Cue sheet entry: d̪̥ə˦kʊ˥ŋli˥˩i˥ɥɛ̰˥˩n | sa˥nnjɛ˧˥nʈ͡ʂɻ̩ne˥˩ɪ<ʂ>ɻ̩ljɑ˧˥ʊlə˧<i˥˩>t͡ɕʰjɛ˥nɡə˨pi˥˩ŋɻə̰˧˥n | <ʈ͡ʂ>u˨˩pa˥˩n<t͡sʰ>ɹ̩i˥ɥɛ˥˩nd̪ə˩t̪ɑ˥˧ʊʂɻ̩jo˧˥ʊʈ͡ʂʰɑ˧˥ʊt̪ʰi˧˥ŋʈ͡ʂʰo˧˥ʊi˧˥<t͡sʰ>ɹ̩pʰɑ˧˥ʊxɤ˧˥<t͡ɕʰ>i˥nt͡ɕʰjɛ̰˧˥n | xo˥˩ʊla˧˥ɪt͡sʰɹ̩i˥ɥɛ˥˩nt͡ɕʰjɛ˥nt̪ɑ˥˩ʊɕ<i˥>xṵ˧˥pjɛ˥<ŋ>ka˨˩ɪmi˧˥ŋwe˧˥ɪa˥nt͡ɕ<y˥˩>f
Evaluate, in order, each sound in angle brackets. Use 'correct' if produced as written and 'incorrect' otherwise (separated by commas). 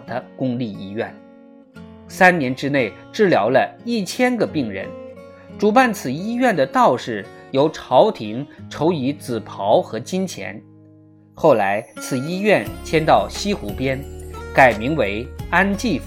incorrect, correct, correct, correct, incorrect, incorrect, correct, incorrect, incorrect